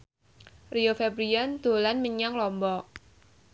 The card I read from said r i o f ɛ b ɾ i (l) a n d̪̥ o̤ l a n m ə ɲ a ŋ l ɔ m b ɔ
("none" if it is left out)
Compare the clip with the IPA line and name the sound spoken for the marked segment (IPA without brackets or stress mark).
none